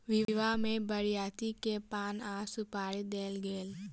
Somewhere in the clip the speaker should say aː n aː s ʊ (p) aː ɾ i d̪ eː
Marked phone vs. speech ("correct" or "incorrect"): correct